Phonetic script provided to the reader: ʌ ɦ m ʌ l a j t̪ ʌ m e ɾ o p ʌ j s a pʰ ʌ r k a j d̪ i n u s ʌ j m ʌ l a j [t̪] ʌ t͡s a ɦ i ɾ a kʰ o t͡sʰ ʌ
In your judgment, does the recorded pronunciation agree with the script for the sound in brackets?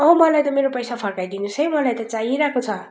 yes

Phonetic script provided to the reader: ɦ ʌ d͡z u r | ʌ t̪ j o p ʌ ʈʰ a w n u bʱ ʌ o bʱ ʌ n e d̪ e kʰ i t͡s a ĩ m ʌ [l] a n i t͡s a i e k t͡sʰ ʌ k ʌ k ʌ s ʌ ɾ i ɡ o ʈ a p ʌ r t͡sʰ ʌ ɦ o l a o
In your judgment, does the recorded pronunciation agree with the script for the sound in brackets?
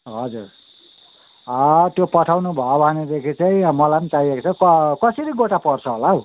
yes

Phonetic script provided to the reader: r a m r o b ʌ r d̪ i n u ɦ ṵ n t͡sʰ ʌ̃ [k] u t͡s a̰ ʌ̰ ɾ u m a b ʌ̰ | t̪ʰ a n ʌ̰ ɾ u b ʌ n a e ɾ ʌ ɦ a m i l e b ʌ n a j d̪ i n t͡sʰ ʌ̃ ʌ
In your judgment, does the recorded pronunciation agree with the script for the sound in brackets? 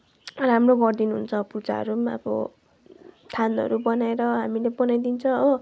no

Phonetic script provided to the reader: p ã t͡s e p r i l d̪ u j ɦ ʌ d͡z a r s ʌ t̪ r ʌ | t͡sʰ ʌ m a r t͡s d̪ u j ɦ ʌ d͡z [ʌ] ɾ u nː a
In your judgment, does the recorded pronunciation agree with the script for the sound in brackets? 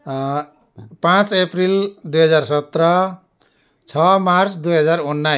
no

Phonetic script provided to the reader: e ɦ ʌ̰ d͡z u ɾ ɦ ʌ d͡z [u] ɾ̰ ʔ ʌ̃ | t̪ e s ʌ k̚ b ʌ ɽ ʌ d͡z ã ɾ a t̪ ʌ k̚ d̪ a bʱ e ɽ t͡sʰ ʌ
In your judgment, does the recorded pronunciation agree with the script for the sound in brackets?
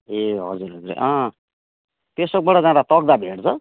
yes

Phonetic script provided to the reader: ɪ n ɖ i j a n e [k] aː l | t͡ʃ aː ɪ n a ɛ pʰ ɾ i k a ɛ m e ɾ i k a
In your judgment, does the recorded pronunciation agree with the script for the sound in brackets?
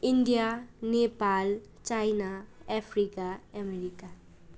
no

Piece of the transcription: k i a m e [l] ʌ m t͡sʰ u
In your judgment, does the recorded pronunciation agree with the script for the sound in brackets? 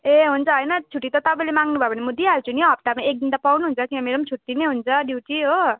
no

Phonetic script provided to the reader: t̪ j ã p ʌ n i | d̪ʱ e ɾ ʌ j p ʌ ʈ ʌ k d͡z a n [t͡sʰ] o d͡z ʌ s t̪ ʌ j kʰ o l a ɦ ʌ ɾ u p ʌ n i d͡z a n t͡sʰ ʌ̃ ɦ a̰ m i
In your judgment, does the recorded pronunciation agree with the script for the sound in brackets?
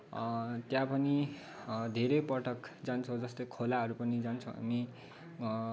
yes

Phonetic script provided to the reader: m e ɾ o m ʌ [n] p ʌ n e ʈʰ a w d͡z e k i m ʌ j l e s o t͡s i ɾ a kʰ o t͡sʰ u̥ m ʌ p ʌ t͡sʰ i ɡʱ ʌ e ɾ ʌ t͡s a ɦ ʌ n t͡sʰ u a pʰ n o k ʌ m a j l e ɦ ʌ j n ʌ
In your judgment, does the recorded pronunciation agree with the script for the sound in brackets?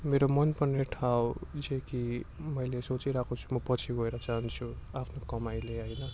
yes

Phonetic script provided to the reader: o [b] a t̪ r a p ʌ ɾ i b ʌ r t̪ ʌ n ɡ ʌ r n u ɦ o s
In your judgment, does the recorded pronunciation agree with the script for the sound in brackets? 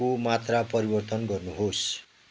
no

